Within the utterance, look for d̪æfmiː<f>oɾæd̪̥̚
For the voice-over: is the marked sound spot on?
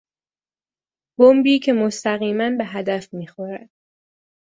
no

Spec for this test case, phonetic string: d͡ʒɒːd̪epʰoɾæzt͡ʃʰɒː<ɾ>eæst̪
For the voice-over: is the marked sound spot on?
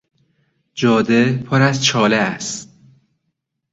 no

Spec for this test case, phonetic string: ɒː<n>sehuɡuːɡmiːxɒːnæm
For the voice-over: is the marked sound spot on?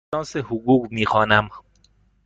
yes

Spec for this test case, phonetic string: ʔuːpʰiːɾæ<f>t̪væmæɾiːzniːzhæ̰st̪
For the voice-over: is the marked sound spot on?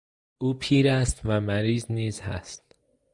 no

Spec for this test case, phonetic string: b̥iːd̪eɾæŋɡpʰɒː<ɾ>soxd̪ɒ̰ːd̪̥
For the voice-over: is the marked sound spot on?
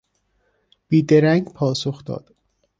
no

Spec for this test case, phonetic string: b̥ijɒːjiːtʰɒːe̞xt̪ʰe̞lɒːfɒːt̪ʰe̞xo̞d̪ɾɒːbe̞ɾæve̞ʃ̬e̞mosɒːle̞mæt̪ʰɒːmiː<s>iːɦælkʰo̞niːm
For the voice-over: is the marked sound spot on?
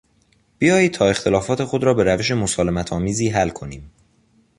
no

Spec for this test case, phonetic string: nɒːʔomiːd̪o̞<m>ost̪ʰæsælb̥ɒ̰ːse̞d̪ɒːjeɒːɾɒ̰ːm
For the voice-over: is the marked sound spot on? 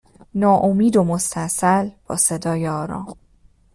yes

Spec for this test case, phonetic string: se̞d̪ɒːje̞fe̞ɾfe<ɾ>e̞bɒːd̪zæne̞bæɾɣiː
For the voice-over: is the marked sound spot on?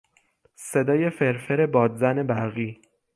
yes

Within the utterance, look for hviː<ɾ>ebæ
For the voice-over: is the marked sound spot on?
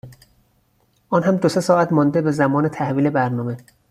no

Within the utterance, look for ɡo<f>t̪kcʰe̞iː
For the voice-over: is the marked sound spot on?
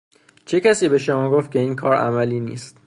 yes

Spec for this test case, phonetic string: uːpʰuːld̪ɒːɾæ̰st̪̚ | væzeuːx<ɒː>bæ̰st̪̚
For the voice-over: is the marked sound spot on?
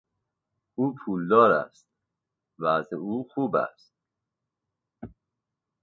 no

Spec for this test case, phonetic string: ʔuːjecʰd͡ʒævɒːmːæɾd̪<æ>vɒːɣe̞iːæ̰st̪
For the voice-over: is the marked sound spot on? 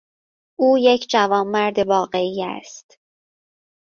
no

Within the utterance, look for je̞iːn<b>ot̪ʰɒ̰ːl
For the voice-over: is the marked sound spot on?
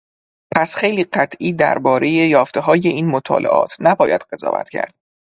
no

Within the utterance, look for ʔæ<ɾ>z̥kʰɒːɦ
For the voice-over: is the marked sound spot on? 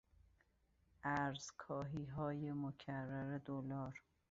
yes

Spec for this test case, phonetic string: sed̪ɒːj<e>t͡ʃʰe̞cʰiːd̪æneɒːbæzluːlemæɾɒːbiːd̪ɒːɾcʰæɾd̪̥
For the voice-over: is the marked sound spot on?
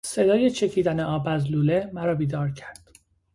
yes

